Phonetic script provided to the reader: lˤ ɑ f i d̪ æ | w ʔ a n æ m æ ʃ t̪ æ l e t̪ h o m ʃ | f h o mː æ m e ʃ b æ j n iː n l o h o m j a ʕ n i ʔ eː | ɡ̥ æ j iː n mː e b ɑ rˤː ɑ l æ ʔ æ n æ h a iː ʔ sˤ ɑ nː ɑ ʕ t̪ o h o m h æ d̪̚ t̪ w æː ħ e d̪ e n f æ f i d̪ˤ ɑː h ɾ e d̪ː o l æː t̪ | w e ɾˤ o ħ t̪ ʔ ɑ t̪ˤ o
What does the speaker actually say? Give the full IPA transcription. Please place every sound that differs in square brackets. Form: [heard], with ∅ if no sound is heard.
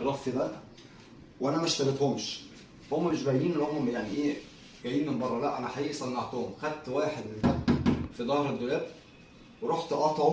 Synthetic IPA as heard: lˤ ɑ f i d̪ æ | w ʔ [æ] n æ m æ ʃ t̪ æ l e t̪ h o m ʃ | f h o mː æ m e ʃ b æ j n iː n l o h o m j a ʕ n i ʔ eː | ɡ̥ æ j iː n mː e b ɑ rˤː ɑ l æ ʔ æ n æ [ħ] a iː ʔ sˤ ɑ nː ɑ ʕ t̪ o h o m [x] æ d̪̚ t̪ w æː ħ e d̪ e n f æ f i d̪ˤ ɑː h ɾ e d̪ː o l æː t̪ | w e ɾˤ o ħ t̪ ʔ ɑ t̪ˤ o

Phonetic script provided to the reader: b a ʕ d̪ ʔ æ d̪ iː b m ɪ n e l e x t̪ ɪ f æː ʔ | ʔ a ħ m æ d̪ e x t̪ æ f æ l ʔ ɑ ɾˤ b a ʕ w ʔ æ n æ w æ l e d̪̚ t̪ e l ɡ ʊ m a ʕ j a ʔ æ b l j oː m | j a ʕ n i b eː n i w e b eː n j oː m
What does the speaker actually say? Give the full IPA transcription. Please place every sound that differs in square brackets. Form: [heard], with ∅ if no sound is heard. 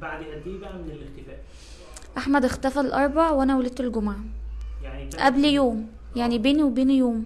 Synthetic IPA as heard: b a ʕ d̪ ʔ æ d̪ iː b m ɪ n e l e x t̪ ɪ f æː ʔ | ʔ a ħ m æ d̪ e x t̪ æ f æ l ʔ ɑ ɾˤ b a ʕ w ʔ æ n æ w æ l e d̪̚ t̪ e l ɡ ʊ m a ʕ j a ʔ æ b l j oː m | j a ʕ n i b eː n i w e b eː n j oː m

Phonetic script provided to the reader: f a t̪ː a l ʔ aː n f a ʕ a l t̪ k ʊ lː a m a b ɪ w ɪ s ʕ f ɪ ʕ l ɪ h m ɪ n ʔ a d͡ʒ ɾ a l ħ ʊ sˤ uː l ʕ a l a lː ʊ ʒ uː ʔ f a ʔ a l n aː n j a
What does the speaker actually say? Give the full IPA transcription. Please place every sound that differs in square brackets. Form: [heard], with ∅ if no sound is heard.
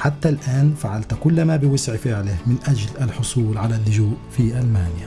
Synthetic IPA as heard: [ħ] a t̪ː a l ʔ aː n f a ʕ a l t̪ k ʊ lː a m a b ɪ w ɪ s ʕ f ɪ ʕ l ɪ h m ɪ n ʔ a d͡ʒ [l] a l ħ ʊ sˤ uː l ʕ a l a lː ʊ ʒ uː ʔ f [i] ʔ a l [m] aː n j a

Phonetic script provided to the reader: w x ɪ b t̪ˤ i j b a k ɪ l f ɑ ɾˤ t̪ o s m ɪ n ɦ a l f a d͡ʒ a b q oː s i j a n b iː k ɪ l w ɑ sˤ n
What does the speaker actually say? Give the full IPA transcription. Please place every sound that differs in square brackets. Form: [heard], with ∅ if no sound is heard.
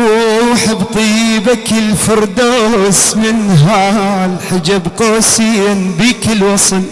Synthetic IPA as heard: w [ħ] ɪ b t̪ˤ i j b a k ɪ l f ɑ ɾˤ [d̪] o s m ɪ n ɦ a l [ħ] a d͡ʒ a b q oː s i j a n b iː k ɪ l w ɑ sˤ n

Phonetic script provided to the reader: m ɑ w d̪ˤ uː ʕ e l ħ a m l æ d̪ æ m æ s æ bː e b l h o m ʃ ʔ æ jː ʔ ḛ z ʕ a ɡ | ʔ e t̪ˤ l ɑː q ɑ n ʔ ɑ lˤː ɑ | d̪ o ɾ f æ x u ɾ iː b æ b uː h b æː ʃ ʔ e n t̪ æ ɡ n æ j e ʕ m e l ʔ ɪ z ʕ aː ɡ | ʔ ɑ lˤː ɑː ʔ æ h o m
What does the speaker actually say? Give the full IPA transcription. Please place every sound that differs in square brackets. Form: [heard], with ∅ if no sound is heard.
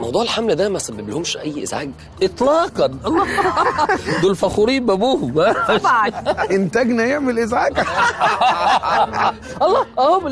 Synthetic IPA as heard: m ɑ w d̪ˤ uː ʕ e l ħ a m l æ d̪ æ m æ s æ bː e b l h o m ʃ ʔ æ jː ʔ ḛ z ʕ a ɡ | ʔ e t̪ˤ l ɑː q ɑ n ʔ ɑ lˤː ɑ | d̪ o [l] f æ x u ɾ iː b æ b uː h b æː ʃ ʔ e n t̪ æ ɡ n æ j e ʕ m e l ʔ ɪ z ʕ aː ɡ | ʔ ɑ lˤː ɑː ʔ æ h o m

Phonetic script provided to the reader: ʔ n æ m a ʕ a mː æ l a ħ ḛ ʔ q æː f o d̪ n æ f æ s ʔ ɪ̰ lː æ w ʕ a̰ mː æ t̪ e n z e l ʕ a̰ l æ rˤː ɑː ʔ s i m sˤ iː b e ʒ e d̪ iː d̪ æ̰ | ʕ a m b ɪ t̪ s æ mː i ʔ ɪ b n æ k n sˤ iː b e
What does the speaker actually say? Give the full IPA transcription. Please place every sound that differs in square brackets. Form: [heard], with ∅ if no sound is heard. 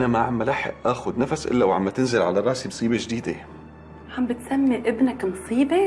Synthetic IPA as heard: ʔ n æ m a ʕ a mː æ l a ħ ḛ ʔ [ʔ] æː [x] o d̪ n æ f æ s ʔ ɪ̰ lː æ w ʕ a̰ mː æ t̪ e n z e l ʕ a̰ l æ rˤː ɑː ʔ s i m sˤ iː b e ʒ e d̪ iː d̪ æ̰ | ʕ a m b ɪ t̪ s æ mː i ʔ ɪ b n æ k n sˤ iː b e

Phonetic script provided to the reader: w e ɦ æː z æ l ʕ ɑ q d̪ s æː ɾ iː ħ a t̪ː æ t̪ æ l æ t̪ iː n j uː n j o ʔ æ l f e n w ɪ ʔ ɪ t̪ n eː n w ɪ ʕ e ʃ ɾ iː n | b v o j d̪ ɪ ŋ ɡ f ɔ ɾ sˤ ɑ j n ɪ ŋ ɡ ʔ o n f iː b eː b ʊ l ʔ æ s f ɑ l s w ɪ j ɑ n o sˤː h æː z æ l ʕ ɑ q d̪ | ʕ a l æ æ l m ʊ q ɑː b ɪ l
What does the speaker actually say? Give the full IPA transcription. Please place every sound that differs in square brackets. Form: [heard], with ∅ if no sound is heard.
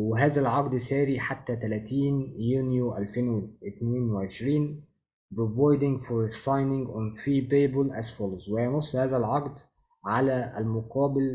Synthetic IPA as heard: w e ɦ æː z æ l ʕ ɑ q d̪ s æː ɾ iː ħ a t̪ː æ t̪ æ l æ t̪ iː n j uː n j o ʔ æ l f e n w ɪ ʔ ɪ t̪ n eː n w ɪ ʕ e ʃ ɾ iː n | b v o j d̪ ɪ ŋ ɡ f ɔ ɾ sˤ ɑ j n ɪ ŋ ɡ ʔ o n f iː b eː b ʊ l ʔ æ s f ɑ l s w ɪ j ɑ n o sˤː h æː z æ l ʕ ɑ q d̪ | ʕ a l æ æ l m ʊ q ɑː b ɪ l

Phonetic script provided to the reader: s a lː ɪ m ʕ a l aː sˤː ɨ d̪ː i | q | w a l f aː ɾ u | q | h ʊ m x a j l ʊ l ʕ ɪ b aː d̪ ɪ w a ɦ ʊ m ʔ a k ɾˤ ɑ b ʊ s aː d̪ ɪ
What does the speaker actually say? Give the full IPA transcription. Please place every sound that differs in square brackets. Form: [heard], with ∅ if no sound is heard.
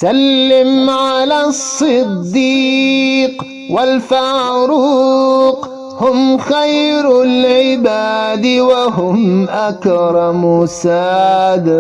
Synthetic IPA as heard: s a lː ɪ m ʕ a l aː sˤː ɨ d̪ː i | q | w a l f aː ɾ u | q | h ʊ m x a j [ɾ] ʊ l ʕ ɪ b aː d̪ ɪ w a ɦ ʊ m ʔ a k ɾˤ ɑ [m] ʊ s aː d̪ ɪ

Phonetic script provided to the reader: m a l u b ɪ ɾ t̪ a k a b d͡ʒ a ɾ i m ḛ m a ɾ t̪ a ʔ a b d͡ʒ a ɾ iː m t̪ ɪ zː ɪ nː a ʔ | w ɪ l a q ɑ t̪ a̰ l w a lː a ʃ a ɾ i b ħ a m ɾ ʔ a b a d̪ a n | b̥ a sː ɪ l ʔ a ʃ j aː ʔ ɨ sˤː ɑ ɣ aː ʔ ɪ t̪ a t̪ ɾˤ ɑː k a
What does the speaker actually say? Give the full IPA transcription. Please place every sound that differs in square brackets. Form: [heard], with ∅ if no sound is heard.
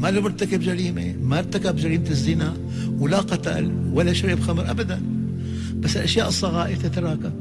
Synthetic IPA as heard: m a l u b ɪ ɾ t̪ a k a b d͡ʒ a ɾ [iː] m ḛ m a ɾ t̪ a [k] a b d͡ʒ a ɾ iː m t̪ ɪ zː ɪ [n] a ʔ | w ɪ l a q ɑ t̪ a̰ l w a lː a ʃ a ɾ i b [x] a m ɾ ʔ a b a d̪ a n | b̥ a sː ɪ l ʔ a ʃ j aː ʔ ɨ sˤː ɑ ɣ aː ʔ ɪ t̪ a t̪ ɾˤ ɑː k a

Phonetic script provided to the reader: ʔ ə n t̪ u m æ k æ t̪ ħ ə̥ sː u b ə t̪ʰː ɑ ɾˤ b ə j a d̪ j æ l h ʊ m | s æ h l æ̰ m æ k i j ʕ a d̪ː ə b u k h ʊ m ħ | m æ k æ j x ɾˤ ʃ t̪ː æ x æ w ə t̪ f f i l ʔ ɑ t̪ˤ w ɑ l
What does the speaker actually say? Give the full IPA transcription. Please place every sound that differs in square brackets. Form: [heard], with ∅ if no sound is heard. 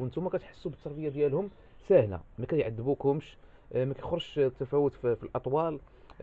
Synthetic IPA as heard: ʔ ə n t̪ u m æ k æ t̪ ħ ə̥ sː u b ə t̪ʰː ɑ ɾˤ b ə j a d̪ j æ l h ʊ m | s æ h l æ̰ m æ k [æ] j ʕ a d̪ː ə b u k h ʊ m [ʃ] | m æ k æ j x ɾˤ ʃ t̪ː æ [f] æ w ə t̪ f f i l ʔ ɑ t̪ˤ w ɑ l

